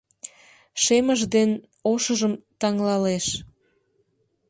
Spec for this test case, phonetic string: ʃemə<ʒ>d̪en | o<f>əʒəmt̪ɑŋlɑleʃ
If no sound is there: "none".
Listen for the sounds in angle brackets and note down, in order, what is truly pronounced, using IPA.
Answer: ʒ, ʃ

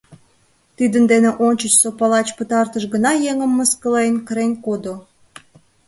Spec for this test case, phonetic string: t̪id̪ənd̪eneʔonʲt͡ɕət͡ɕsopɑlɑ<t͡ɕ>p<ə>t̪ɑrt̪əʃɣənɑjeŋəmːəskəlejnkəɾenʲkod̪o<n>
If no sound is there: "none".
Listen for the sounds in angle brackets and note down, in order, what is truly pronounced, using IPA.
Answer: t͡ɕ, ə, none

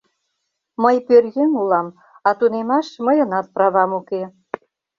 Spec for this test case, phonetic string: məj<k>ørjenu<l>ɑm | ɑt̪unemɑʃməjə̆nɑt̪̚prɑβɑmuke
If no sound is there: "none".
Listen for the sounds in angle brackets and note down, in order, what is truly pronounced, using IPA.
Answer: p, l

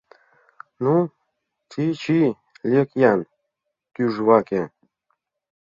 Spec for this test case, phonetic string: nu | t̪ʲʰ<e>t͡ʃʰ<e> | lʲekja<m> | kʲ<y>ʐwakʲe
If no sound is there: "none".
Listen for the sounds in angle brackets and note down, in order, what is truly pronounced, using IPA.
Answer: i, i, n, y

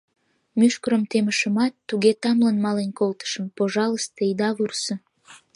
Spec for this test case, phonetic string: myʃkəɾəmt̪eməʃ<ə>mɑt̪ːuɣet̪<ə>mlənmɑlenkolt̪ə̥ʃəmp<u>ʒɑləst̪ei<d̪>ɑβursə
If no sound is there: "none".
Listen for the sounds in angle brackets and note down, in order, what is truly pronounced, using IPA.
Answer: ə, ɑ, o, d̪

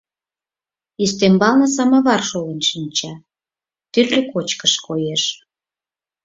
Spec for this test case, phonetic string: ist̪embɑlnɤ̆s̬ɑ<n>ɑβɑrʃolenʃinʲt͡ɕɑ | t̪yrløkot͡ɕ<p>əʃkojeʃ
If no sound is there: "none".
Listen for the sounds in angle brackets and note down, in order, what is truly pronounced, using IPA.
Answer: m, k

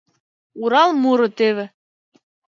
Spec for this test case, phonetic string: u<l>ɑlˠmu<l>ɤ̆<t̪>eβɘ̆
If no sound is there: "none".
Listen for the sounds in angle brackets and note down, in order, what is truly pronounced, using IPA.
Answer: ɾ, ɾ, t̪

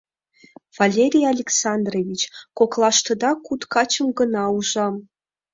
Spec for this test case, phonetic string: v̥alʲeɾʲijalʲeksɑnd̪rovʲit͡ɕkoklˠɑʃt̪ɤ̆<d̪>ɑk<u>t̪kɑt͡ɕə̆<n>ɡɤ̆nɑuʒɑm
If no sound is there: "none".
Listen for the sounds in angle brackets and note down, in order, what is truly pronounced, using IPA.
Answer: d̪, u, m

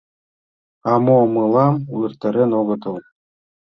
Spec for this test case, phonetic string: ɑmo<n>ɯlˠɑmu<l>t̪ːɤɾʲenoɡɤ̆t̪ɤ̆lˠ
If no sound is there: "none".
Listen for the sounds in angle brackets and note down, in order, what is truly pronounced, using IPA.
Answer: m, r

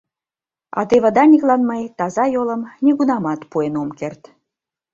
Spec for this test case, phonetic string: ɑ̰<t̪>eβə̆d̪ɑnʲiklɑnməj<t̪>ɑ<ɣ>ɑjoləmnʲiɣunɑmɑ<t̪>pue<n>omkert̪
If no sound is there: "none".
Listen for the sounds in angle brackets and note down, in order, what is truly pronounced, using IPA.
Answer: t̪, t̪, z, t̪, n

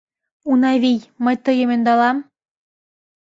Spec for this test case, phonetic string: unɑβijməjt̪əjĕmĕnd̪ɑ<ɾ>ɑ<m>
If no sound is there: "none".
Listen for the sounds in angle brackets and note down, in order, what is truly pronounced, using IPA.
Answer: l, m

